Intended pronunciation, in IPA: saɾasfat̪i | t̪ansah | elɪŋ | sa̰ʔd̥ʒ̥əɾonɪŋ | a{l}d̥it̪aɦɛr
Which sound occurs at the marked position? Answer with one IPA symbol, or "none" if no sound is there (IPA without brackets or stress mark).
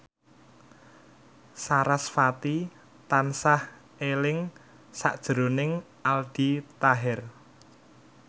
l